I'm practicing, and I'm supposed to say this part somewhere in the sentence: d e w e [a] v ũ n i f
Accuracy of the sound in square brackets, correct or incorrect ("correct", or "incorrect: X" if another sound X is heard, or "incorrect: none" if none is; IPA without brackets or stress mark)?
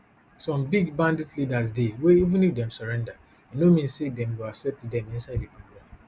incorrect: i